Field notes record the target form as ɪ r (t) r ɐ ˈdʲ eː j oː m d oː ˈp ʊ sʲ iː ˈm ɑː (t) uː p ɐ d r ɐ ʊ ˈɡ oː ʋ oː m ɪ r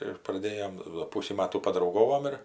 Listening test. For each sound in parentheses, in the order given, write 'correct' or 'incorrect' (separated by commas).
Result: incorrect, correct